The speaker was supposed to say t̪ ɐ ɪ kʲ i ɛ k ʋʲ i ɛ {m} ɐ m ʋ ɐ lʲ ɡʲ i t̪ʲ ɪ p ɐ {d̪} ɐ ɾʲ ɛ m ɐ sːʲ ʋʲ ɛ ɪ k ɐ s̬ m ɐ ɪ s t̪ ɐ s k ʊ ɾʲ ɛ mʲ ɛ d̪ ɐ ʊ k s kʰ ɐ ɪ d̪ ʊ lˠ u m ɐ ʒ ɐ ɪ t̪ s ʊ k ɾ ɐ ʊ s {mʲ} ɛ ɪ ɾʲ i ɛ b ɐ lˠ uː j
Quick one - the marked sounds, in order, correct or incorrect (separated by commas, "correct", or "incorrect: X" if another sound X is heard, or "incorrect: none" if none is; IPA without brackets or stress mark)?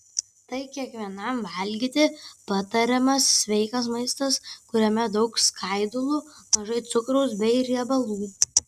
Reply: incorrect: n, incorrect: t̪, incorrect: bʲ